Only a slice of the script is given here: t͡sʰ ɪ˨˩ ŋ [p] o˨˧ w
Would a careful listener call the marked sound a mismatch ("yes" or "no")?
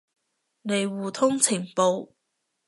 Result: no